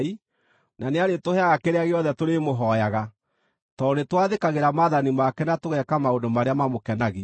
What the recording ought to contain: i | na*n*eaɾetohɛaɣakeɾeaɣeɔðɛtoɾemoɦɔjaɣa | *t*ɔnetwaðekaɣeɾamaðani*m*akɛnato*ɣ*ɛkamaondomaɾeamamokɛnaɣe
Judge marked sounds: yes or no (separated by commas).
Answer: yes, yes, yes, yes